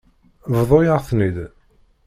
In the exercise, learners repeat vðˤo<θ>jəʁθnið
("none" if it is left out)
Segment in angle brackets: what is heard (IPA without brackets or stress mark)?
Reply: none